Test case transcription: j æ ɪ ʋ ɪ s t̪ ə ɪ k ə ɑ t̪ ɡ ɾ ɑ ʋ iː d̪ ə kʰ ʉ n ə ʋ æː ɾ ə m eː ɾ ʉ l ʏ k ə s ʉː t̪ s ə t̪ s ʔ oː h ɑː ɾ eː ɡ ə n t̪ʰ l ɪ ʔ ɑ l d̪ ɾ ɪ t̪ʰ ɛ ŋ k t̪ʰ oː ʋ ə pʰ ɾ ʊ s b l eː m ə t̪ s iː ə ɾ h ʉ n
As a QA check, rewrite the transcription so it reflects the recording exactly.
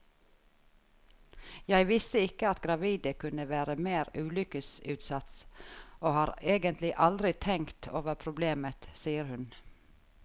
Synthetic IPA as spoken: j æ ɪ ʋ ɪ s t̪ ə ɪ k ə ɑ t̪ ɡ ɾ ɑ ʋ iː d̪ ə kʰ ʉ n ə ʋ æː ɾ ə m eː ɾ ʉː l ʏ k ə s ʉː t̪ s ɑ t̪ s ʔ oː h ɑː ɾ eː ɡ ə n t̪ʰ l ɪ ʔ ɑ l d̪ ɾ ɪ t̪ʰ ɛ ŋ k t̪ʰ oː ʋ ə pʰ ɾ ʊ b l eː m ə t̪ s iː ə ɾ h ʉ n